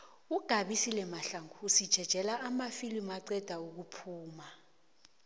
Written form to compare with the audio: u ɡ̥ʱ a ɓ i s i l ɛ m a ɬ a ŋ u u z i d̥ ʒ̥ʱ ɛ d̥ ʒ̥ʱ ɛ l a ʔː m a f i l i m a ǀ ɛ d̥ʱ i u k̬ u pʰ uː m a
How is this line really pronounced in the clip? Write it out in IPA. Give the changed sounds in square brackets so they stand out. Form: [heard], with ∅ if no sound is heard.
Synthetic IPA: u ɡ̥ʱ a ɓ i s i l ɛ m a ɬ a ŋ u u [s] i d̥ ʒ̥ʱ ɛ d̥ ʒ̥ʱ ɛ l a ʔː m a f i l i m a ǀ ɛ d̥ʱ [a] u k̬ u pʰ uː m a